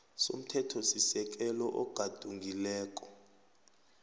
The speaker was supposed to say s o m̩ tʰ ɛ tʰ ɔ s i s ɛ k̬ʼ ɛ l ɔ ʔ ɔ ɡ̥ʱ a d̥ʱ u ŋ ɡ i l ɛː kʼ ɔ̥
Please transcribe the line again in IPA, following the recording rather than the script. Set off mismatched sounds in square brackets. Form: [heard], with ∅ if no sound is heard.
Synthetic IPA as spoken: s o m̩ tʰ ɛ tʰ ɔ s i s ɛ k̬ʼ ɛ l ɔ ʔ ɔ ɡ̥ʱ a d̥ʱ u ŋ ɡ i l ɛː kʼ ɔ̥